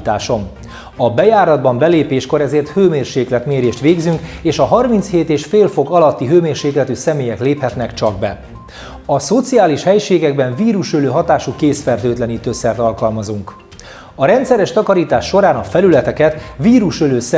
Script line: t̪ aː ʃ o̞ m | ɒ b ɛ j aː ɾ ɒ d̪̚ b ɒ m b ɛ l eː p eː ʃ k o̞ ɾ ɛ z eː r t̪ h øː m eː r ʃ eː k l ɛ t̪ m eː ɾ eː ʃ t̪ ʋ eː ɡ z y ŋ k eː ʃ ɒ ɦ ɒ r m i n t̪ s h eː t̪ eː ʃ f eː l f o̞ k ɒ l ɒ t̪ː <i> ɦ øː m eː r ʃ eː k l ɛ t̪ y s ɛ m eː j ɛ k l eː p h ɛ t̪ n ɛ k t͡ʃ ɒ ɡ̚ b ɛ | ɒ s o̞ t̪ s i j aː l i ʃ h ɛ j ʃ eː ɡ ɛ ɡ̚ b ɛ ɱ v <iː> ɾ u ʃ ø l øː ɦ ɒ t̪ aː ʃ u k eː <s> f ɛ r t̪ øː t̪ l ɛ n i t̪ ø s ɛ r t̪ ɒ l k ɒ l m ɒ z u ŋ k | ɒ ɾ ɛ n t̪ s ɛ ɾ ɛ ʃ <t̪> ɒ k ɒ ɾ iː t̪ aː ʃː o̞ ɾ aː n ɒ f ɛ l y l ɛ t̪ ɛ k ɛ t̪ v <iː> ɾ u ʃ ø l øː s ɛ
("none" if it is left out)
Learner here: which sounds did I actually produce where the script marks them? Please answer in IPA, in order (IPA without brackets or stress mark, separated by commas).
i, iː, s, t̪, iː